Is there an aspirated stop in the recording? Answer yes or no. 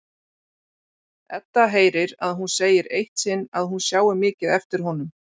no